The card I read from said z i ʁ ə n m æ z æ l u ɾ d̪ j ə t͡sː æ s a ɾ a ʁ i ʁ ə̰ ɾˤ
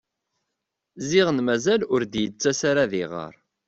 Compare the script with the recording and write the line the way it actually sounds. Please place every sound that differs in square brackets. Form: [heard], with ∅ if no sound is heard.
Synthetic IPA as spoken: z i ʁ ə n m æ z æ l [ʊ] ɾ d̪ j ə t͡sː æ s a ɾ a [ð] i ʁ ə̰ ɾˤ